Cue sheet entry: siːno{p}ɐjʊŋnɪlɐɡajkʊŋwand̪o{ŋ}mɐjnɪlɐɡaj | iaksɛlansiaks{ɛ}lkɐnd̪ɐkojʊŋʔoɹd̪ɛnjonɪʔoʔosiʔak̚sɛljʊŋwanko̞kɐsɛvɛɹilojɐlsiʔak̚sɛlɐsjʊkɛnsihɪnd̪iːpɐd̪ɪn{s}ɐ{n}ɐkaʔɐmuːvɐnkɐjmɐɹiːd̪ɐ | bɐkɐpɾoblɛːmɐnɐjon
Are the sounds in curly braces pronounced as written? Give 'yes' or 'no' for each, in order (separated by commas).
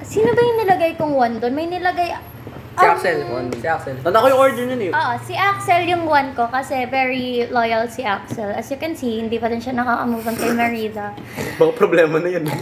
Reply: no, no, yes, no, yes